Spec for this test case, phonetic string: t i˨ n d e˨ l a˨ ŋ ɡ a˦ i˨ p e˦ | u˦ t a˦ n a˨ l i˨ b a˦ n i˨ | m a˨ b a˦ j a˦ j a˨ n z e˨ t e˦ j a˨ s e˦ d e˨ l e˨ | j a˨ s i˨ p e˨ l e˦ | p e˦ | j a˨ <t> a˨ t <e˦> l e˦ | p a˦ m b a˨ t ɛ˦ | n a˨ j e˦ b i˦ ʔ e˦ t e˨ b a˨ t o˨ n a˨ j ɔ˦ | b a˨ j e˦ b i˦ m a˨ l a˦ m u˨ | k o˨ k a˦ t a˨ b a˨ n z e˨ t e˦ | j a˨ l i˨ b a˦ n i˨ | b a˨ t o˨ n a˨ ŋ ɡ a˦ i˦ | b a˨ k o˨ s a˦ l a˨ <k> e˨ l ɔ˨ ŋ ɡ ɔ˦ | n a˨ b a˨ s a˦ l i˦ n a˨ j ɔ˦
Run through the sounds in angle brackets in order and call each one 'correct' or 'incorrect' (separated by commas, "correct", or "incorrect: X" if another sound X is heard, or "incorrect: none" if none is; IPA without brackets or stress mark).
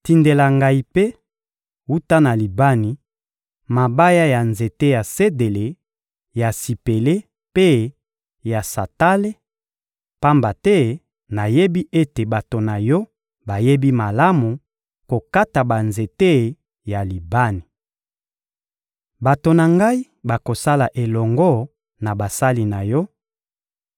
incorrect: s, incorrect: a˦, incorrect: ʔ